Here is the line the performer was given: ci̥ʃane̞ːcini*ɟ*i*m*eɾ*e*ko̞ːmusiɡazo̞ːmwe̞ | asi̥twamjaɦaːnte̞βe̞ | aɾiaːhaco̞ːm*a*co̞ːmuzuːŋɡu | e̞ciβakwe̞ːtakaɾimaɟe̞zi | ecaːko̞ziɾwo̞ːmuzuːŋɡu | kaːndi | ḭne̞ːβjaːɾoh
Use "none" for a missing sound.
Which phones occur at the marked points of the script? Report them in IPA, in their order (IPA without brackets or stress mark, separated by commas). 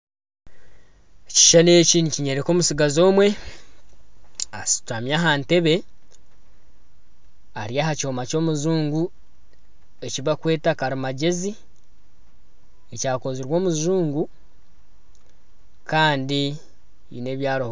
c, ɲ, e, a